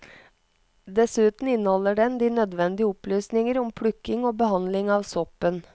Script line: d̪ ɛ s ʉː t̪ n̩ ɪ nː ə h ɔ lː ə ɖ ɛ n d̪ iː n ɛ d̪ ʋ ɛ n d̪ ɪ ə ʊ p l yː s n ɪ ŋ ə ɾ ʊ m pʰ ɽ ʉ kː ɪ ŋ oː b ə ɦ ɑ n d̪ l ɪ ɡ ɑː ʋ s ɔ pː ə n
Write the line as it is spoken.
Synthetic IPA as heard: d̪ ɛ s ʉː t̪ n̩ ɪ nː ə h ɔ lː ə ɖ ɛ n d̪ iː n œ d̪ ʋ ɛ n d̪ ɪ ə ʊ p l yː s n ɪ ŋ ə ɾ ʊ m pʰ ɽ ʉ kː ɪ ŋ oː b ə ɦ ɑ n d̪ l ɪ ŋ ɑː ʋ s ɔ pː ə n